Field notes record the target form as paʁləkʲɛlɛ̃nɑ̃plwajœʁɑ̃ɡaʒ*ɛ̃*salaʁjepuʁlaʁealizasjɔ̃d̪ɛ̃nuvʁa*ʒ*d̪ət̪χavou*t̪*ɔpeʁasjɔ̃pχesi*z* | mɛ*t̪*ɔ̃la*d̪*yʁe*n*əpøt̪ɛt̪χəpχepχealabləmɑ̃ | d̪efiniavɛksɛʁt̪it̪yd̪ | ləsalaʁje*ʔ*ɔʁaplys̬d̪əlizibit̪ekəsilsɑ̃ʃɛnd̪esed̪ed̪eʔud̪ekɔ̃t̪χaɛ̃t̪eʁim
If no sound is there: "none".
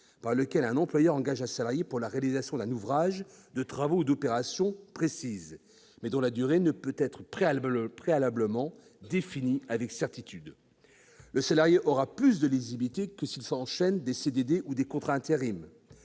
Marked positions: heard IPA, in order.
ɛ̃, ʒ, d̪, z, d̪, d̪, n, ʔ

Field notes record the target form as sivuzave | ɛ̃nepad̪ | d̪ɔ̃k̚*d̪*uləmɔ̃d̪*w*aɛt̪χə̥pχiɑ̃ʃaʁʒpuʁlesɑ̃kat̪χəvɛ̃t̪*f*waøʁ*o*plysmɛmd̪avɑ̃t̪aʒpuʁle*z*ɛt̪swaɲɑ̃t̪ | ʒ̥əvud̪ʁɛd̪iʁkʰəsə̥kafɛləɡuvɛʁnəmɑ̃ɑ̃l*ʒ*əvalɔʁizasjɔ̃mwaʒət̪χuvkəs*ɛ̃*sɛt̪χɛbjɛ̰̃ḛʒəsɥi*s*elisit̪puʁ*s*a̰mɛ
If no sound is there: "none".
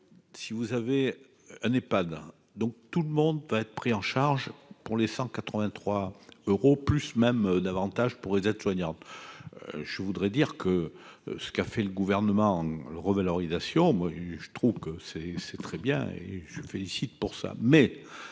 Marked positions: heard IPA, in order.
t̪, v, χ, o, z, ʁ, ɛ, f, s

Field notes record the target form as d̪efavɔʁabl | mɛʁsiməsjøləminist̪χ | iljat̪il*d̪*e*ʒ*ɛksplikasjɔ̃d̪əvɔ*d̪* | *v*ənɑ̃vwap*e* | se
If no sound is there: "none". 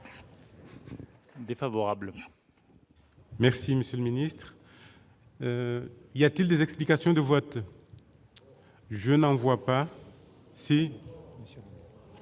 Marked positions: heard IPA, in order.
d̪, z, t̪, ʒ, a

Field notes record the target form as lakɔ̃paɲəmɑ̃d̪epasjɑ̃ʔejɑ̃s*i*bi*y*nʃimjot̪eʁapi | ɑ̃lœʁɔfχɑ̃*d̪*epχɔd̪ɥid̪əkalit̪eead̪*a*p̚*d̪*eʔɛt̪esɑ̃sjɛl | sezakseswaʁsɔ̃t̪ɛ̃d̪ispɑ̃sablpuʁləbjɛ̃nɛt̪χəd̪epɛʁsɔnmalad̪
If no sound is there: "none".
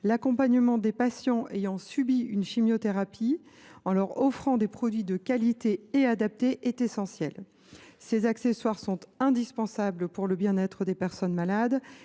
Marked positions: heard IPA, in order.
y, y, d̪, a, t̪

